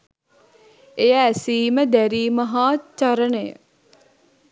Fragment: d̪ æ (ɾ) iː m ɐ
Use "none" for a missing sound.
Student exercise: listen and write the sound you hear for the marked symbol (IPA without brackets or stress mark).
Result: ɾ